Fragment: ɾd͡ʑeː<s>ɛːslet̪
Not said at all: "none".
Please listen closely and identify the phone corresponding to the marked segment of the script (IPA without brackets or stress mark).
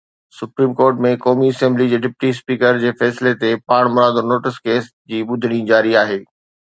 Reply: f